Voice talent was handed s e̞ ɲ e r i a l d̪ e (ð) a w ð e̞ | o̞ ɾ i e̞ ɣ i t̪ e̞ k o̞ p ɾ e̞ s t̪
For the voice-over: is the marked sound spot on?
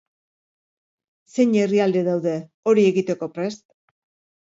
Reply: yes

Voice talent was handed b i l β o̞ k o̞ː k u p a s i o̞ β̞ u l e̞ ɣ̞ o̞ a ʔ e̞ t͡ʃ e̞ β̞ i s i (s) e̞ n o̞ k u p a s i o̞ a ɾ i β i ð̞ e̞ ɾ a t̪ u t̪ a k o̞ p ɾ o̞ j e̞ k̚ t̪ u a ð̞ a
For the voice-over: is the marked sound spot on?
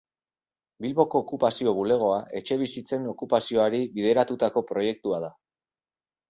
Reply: no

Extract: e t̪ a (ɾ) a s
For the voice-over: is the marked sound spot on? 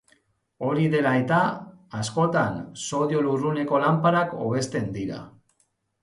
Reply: no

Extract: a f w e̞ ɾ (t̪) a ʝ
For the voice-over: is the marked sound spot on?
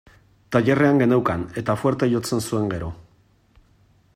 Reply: yes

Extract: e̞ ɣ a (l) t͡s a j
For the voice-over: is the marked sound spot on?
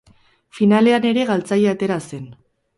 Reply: yes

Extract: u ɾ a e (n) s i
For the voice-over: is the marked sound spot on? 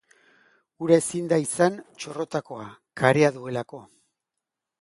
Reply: no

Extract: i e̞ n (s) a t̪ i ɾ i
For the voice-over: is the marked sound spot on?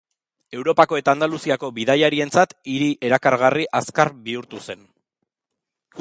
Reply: no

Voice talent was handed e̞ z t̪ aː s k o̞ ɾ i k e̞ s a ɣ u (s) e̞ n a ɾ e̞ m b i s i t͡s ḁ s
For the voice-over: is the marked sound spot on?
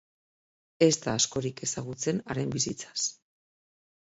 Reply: no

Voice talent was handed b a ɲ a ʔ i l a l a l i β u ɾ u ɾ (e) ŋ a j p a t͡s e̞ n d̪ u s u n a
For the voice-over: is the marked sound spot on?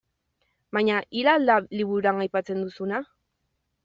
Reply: no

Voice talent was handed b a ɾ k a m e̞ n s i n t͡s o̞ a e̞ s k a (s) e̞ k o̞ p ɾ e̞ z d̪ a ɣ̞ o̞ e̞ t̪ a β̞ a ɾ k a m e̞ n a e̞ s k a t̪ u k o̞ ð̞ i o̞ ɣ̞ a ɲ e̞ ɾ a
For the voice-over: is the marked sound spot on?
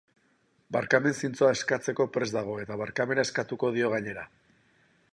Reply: no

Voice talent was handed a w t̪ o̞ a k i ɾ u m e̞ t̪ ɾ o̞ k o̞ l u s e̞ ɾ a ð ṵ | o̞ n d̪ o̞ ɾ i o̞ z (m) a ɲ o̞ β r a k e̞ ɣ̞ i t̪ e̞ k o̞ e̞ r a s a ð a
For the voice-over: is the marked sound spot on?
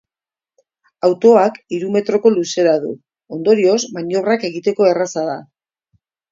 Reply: yes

